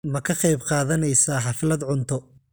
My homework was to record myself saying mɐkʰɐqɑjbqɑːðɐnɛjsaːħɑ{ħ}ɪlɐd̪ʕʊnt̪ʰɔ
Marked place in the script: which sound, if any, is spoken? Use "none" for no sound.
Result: f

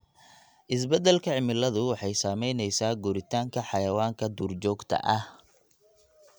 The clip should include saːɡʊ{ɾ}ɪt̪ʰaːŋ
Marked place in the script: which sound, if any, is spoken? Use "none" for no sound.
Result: ɾ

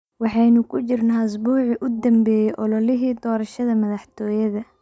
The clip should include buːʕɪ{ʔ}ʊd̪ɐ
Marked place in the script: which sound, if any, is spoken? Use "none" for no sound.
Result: ʔ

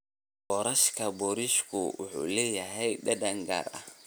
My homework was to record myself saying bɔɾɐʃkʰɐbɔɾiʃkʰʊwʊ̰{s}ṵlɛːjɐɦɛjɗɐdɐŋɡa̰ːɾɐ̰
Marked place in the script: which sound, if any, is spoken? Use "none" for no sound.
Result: ħ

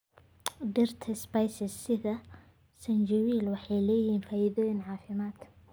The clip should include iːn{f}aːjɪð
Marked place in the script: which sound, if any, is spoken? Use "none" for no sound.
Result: f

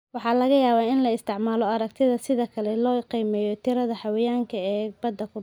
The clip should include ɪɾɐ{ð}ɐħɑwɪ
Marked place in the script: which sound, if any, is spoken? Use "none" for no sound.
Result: ð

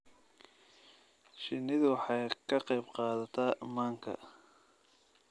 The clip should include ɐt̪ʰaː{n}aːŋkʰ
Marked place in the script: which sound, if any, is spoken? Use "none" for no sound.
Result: m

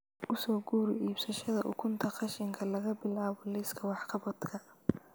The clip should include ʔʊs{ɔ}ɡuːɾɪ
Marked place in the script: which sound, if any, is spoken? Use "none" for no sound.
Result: ɔː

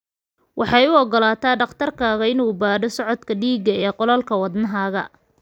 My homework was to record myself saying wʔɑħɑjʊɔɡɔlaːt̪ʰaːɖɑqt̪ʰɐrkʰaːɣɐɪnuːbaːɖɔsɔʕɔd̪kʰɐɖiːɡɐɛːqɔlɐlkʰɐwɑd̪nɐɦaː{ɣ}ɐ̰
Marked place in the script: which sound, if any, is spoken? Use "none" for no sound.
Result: ɣ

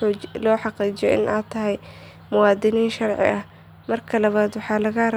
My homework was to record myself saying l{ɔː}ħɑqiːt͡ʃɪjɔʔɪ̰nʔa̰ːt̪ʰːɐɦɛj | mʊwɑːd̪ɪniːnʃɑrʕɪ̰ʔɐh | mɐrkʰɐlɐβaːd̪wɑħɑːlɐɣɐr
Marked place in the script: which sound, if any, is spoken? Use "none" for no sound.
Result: ɔː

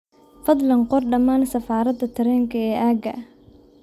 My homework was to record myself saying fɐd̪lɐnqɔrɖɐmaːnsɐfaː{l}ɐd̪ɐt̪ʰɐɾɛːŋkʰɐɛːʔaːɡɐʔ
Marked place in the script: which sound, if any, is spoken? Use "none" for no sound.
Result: ɾ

